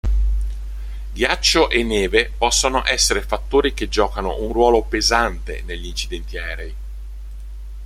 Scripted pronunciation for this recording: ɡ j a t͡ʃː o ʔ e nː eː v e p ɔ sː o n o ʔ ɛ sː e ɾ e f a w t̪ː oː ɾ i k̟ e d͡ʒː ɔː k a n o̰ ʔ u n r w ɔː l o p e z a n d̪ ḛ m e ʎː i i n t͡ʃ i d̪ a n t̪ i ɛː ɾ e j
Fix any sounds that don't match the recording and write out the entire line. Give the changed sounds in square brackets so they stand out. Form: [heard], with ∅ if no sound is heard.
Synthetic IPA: ɡ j a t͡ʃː o ʔ e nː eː v e p ɔ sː o n o ʔ ɛ sː e ɾ e f a [∅] t̪ː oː ɾ i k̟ e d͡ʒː ɔː k a n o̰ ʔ u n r w ɔː l o p e z a n [t̪] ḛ [n] e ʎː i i n t͡ʃ i d̪ [ɛ] n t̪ i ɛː ɾ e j